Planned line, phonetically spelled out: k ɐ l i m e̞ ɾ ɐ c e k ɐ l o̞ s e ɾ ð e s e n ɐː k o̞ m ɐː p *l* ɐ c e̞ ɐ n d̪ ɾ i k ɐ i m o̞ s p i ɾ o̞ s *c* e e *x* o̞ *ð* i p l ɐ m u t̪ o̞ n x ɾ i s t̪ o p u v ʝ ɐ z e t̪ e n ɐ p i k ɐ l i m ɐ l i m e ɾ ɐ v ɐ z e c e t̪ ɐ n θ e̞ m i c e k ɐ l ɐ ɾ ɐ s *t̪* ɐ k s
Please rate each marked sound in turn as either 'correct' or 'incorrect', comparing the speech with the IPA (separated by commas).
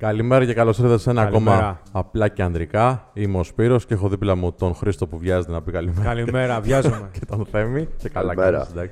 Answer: correct, correct, correct, correct, incorrect